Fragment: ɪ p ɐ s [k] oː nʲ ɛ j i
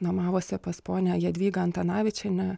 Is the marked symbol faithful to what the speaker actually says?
no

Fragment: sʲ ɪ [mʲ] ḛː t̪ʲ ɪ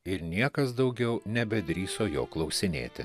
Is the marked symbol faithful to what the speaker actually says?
no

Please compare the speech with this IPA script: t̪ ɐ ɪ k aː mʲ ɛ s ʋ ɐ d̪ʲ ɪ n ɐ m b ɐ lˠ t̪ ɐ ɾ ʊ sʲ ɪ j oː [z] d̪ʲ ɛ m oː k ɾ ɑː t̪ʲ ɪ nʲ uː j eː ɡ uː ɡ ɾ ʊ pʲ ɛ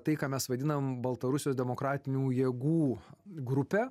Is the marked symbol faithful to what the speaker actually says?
no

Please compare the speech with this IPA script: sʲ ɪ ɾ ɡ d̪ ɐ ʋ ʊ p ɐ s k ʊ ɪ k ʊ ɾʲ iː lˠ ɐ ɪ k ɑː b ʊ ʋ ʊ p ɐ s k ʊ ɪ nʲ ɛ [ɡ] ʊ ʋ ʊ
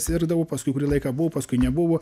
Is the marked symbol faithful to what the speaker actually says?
no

